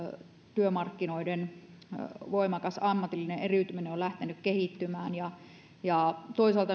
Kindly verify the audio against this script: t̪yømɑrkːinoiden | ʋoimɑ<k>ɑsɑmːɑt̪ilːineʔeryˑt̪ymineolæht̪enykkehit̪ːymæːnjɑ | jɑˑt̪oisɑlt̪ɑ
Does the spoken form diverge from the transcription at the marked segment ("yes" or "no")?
no